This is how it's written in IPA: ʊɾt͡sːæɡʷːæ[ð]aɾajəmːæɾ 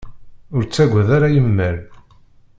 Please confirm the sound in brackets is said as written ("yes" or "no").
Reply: yes